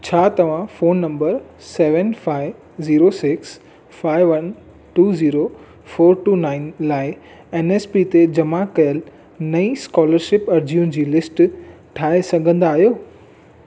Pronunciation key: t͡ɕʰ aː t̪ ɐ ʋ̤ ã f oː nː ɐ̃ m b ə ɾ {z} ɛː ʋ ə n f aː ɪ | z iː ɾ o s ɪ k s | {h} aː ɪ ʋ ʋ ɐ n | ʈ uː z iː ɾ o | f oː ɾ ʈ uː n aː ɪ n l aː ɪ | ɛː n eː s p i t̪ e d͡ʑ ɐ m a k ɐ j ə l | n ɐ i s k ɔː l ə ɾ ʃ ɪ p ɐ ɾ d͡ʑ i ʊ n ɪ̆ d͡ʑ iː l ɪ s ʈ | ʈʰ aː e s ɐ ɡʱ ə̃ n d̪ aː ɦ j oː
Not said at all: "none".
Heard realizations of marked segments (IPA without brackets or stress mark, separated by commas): s, f